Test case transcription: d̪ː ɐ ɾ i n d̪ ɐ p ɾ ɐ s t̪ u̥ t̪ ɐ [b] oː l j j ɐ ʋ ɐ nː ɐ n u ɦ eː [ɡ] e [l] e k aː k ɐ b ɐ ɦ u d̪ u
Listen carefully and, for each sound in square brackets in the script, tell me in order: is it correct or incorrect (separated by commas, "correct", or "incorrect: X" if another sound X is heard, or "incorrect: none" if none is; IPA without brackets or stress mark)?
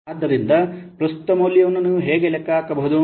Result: incorrect: m, correct, correct